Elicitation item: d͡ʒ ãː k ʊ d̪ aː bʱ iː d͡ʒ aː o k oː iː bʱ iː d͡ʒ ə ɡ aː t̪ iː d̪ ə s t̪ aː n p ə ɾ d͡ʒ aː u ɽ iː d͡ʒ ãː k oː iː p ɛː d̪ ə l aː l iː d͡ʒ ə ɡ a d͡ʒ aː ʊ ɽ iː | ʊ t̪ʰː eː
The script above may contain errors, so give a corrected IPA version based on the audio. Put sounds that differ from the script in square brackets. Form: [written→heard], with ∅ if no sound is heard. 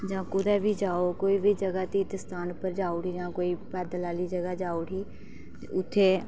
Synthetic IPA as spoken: d͡ʒ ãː k ʊ d̪ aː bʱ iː d͡ʒ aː o k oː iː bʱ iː d͡ʒ ə ɡ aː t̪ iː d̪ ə s t̪ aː n p ə ɾ d͡ʒ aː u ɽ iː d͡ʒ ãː k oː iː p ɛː d̪ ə l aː l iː d͡ʒ ə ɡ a d͡ʒ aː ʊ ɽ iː | ʊ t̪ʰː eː